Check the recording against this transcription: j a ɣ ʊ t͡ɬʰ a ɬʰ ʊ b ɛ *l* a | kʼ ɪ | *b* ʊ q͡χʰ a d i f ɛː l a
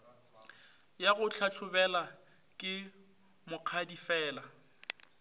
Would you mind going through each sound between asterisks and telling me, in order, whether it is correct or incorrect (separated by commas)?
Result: correct, incorrect